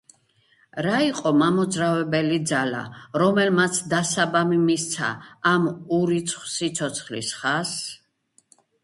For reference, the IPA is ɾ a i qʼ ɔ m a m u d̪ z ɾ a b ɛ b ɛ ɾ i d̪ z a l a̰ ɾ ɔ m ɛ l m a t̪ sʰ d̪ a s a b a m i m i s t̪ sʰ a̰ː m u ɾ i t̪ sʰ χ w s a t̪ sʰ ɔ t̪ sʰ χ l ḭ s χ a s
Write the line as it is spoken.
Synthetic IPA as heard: ɾ a i qʼ ɔ m a m ɔ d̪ z ɾ a v ɛ b ɛ l i d̪ z a l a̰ ɾ ɔ m ɛ l m a t̪ sʰ d̪ a s a b a m i m i s t̪ sʰ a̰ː m u ɾ i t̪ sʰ χ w s i t̪ sʰ ɔ t̪ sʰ χ l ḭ s χ a s